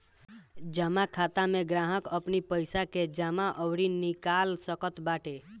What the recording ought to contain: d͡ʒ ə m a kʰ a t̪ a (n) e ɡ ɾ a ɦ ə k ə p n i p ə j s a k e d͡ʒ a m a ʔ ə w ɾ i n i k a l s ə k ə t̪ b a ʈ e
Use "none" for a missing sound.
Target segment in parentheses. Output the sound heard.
m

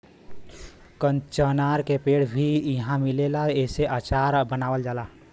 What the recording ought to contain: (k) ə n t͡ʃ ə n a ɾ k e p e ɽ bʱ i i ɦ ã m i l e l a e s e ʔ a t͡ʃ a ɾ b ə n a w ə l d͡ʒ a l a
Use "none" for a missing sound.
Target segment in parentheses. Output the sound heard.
k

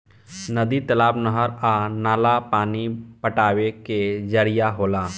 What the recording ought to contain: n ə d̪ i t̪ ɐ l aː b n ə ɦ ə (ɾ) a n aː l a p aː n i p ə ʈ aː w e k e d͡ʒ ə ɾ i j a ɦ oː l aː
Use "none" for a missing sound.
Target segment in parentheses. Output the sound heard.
ɾ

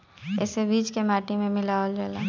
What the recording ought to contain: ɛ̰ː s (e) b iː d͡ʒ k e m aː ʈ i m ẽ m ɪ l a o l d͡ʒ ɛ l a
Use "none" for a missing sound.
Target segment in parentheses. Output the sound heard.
e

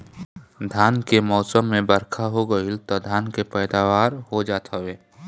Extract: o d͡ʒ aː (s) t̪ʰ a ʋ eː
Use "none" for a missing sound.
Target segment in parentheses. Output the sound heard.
none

